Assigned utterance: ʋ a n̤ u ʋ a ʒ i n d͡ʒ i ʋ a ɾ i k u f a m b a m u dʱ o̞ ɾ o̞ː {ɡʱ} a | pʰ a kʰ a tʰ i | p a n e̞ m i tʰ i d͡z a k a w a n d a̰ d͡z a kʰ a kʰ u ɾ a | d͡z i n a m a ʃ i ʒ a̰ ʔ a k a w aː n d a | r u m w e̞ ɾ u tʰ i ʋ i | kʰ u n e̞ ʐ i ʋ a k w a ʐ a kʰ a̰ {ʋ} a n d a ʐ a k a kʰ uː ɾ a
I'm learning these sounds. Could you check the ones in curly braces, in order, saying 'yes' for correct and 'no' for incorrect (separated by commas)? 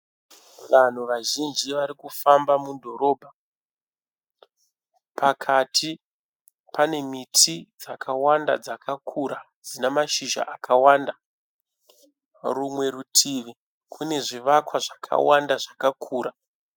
no, no